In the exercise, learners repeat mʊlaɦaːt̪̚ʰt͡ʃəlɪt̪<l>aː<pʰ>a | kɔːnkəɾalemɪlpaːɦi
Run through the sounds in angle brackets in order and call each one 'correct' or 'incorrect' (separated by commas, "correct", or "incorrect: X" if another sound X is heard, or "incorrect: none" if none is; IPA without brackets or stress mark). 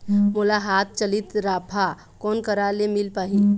incorrect: ɾ, correct